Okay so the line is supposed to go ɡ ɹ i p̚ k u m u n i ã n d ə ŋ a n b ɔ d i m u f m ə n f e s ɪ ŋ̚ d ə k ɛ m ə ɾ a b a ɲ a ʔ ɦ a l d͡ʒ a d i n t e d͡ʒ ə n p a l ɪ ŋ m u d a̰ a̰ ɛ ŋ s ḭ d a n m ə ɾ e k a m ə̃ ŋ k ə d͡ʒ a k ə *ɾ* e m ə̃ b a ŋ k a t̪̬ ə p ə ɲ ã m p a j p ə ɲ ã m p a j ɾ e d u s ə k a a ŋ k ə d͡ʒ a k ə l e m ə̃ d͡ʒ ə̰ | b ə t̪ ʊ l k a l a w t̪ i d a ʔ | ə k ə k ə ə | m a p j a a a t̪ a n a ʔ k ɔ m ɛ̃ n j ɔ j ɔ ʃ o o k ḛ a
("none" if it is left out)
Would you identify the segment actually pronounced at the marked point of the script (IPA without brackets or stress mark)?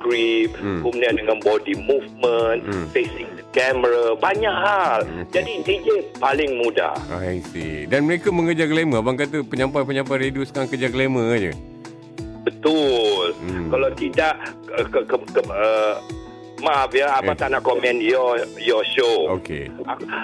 l